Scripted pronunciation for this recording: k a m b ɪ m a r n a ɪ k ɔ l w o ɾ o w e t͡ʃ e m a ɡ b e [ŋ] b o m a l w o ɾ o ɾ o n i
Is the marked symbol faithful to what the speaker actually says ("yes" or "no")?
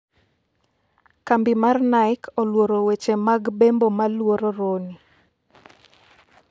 no